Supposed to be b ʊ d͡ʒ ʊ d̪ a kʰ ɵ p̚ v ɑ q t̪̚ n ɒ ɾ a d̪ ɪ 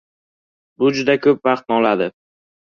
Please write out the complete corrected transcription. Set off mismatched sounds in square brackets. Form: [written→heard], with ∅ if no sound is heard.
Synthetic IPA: b ʊ d͡ʒ ʊ d̪ a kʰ ɵ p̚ v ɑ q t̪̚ n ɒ [ɾ→l] a d̪ ɪ